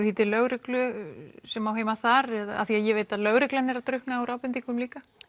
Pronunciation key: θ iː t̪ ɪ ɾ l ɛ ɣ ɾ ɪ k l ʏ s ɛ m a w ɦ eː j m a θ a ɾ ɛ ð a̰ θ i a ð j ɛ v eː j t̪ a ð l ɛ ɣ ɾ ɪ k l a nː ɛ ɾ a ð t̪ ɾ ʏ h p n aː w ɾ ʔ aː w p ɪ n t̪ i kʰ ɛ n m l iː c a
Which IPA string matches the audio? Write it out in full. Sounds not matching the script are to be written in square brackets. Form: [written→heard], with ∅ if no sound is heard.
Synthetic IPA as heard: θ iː t̪ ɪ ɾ l [ɛ→œ] ɣ ɾ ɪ k l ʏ s ɛ m a w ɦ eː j m a θ a ɾ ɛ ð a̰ θ i a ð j ɛ v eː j t̪ a ð l [ɛ→œ] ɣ ɾ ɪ k l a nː ɛ ɾ a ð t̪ ɾ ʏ h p n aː w ɾ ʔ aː w p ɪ n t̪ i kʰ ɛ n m l iː [c→k] a